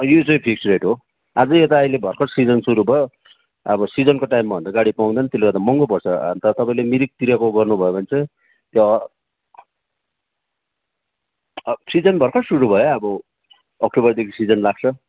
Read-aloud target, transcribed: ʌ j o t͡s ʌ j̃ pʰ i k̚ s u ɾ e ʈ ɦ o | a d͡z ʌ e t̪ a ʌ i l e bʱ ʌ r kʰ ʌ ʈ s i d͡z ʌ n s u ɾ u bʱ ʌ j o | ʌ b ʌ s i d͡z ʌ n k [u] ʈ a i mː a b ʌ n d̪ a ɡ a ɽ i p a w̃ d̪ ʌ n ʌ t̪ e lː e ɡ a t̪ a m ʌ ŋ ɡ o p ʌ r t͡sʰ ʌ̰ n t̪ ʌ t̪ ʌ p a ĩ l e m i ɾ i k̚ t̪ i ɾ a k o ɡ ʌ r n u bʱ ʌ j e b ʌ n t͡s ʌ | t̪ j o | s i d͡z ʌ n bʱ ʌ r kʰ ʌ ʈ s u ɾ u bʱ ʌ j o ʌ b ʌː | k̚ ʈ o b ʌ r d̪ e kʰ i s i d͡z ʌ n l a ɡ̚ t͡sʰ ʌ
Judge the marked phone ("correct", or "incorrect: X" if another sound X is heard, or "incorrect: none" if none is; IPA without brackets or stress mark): incorrect: o